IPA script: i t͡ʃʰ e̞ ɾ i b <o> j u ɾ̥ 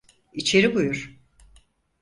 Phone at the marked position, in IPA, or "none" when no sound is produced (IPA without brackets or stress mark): u